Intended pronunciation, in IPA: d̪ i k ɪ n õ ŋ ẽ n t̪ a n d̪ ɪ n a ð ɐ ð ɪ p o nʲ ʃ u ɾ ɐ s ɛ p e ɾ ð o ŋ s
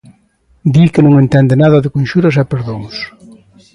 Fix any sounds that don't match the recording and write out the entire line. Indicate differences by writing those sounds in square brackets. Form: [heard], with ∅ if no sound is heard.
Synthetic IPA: d̪ i k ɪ n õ ŋ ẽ n t̪ [ɛ] n d̪ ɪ n a ð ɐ ð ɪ [k] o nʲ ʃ u ɾ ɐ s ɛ p e ɾ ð o ŋ s